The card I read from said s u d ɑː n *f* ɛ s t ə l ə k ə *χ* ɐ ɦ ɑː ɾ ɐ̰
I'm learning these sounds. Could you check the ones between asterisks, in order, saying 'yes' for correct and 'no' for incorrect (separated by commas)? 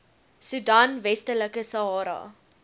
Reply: no, no